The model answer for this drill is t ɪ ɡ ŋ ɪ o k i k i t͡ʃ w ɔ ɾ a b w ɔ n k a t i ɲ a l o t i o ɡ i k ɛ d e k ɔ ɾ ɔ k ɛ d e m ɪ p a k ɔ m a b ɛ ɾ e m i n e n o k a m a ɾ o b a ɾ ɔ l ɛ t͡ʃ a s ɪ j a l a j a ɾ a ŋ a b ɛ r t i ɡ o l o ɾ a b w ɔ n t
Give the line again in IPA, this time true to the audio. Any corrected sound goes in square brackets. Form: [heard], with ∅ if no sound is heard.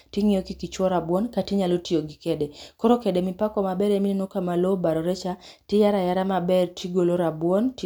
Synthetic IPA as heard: t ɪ [∅] ŋ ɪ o k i k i t͡ʃ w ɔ ɾ a b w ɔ n k a t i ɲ a l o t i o ɡ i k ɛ d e k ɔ ɾ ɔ k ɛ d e m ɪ p a k ɔ m a b ɛ ɾ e m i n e n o k a m a [l] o b a ɾ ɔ [ɾ] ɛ t͡ʃ a [t] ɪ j a [ɾ] a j a ɾ a [m] a b ɛ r t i ɡ o l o ɾ a b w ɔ n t

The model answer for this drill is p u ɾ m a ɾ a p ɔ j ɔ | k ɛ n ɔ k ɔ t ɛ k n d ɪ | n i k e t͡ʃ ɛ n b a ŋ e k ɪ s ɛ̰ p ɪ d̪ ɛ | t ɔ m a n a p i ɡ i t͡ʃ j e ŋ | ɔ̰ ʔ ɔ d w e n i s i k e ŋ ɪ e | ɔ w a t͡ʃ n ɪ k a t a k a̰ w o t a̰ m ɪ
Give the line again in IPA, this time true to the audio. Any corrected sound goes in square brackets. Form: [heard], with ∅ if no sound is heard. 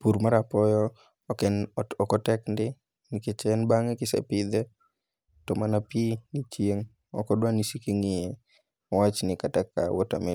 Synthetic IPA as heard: p u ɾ m a ɾ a p ɔ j ɔ | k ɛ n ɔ k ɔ t ɛ k n d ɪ | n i k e t͡ʃ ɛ n b a ŋ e k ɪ s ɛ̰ p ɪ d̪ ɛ | t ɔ m a n a p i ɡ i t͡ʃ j e ŋ | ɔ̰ [k] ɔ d w [a] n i s i k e ŋ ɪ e | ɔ w a t͡ʃ n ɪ k a t a k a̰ w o t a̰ m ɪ

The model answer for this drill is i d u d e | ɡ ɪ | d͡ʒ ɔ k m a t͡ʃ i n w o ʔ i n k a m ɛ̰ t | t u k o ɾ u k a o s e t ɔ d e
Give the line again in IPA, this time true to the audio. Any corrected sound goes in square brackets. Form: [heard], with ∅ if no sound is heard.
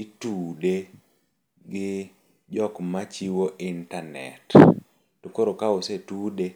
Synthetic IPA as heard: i [t] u d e | ɡ ɪ | d͡ʒ ɔ k m a t͡ʃ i [∅] w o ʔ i n [t] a [n] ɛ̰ t | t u k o ɾ [o] k a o s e t [u] d e

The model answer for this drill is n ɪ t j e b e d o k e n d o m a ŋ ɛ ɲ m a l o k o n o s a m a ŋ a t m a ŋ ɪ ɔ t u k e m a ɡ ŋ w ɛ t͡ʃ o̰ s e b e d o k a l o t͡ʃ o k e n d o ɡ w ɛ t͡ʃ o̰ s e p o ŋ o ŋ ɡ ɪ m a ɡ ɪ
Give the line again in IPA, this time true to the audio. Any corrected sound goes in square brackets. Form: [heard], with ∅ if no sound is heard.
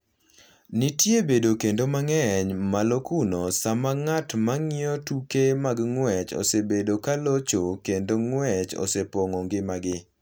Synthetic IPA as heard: n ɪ t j e b e d o k e n d o m a ŋ ɛ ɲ m a l o k [u] n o s a m a ŋ a t m a ŋ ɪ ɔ t u k e m a ɡ ŋ w ɛ t͡ʃ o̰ s e b e d o k a l o t͡ʃ o k e n d o [ŋ] w ɛ t͡ʃ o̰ s e p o ŋ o ŋ ɡ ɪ m a ɡ ɪ

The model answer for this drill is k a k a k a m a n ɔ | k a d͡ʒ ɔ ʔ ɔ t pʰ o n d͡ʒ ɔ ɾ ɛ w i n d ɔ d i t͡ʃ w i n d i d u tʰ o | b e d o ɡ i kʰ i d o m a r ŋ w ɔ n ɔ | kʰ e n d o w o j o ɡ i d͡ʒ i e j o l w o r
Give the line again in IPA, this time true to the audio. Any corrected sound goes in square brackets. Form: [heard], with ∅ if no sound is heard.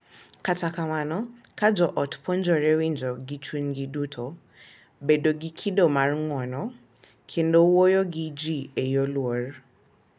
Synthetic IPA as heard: k a [t] a k a m a n ɔ | k a d͡ʒ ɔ ʔ ɔ t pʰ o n d͡ʒ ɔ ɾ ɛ w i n [d͡ʒ] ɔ [ɡ] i t͡ʃ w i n [ɡ] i d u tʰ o | b e d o ɡ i kʰ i d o m a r ŋ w ɔ n ɔ | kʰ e n d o w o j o ɡ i d͡ʒ i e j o l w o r

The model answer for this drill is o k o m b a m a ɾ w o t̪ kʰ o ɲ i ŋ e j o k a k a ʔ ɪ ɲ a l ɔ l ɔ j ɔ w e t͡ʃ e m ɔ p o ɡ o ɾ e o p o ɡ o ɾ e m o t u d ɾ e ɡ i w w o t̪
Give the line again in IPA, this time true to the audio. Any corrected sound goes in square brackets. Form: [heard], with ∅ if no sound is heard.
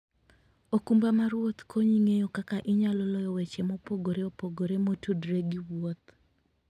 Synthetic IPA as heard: o k [u] m b a m a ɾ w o t̪ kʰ o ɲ i ŋ e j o k a k a ʔ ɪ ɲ a l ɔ l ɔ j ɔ w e t͡ʃ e m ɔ p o ɡ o ɾ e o p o ɡ o ɾ e m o t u d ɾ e ɡ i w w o t̪

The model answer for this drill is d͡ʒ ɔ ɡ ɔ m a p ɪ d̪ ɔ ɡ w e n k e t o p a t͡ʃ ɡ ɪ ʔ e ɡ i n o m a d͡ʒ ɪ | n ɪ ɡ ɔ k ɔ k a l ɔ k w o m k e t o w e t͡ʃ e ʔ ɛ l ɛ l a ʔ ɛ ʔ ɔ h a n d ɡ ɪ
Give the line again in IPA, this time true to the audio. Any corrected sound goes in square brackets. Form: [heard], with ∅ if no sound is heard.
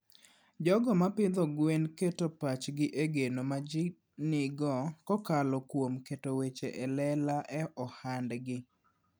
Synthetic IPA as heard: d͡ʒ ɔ ɡ ɔ m a p ɪ d̪ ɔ ɡ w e n k e t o p a t͡ʃ ɡ ɪ ʔ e ɡ [e] n o m a d͡ʒ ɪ | n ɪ ɡ ɔ k ɔ k a l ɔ k w o m k e t o w e t͡ʃ e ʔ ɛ l ɛ l a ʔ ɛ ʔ ɔ h a n d ɡ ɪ

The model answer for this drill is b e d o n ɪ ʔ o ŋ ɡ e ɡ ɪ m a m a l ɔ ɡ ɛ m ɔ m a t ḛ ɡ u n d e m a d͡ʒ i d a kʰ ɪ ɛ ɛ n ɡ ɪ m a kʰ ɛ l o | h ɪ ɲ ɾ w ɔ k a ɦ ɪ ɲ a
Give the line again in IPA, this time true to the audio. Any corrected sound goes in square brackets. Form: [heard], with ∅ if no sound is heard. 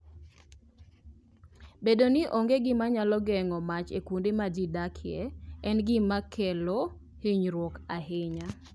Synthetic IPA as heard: b e d o n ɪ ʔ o ŋ ɡ e ɡ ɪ m a [ɲ] a l ɔ ɡ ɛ [ŋ] ɔ m a [t͡ʃ] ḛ [k] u n d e m a d͡ʒ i d a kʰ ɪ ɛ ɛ n ɡ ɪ m a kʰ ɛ l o | h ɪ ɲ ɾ w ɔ k a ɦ ɪ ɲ a

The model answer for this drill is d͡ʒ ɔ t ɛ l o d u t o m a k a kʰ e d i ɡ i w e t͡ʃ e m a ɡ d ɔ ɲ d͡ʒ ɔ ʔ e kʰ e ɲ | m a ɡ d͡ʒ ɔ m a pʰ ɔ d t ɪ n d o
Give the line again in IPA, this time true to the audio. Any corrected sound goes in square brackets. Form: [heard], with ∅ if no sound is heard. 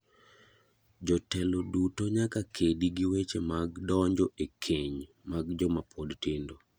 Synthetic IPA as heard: d͡ʒ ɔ t ɛ l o d u t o [ɲ] a k a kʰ e d i ɡ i w e t͡ʃ e m a ɡ d ɔ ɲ d͡ʒ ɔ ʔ e kʰ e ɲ | m a ɡ d͡ʒ ɔ m a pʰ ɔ d t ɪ n d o

